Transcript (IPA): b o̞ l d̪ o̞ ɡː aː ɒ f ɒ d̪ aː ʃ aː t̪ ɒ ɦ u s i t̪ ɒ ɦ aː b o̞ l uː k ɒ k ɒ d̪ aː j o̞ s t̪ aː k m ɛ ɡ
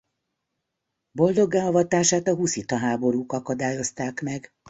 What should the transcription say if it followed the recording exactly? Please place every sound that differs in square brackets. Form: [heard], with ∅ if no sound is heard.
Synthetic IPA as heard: b o̞ l d̪ o̞ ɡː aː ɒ [v] ɒ [t̪] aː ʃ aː t̪ ɒ ɦ u s i t̪ ɒ ɦ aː b o̞ [ɾ] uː k ɒ k ɒ d̪ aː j o̞ s t̪ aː k m ɛ ɡ